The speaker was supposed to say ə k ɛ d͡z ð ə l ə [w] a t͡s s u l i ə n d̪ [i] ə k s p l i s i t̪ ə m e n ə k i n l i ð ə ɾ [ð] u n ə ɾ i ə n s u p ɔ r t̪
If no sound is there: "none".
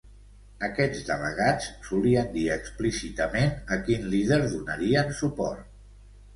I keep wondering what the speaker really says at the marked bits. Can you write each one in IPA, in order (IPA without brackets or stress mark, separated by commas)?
ɣ, i, ð